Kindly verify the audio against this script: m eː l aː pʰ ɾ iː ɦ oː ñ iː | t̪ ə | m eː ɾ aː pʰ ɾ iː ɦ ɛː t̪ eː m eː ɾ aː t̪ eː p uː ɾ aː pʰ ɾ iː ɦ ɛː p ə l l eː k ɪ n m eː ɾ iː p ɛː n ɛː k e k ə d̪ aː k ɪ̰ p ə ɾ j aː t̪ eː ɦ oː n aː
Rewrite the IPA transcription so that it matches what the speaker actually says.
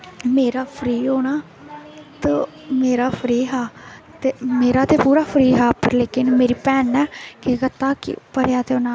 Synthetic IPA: m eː ɾ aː pʰ ɾ iː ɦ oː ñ aː | t̪ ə | m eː ɾ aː pʰ ɾ iː ɦ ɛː t̪ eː m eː ɾ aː t̪ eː p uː ɾ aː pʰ ɾ iː ɦ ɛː p ə ɾ l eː k ɪ n m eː ɾ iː p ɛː n ɛː k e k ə t̪ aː k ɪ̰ p ə ɾ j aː t̪ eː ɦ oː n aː